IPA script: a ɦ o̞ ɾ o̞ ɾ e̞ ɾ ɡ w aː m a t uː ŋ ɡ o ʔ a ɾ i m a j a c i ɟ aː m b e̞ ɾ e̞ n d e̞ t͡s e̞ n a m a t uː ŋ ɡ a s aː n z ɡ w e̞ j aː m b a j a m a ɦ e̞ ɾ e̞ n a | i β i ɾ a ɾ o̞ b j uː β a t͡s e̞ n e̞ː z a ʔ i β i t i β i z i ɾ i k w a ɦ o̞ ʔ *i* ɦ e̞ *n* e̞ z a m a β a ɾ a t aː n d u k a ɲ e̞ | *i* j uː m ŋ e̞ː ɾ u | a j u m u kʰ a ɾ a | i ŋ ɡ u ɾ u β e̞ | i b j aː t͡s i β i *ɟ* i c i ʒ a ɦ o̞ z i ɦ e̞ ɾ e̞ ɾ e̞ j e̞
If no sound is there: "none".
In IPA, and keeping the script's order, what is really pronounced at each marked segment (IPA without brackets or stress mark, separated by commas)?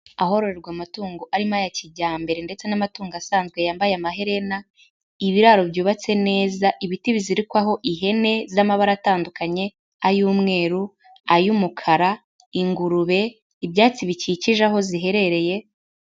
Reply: i, n, a, c